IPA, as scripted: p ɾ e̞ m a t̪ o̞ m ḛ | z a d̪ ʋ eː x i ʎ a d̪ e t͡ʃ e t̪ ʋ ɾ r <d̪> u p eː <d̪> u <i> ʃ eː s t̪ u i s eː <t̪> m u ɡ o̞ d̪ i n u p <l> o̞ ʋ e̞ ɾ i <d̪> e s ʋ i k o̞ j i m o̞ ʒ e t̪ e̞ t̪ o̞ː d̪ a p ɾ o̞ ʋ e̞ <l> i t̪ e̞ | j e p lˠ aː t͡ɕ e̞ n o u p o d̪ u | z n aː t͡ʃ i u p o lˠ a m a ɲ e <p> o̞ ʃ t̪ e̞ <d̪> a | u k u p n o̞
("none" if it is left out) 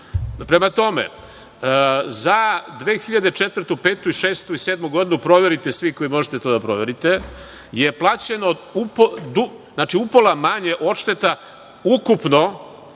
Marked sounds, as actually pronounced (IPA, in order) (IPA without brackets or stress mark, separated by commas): t̪, t̪, i, d̪, ɾ, t̪, ɾ, ʔ, t̪